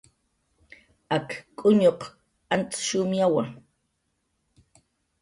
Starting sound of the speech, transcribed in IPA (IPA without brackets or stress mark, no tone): a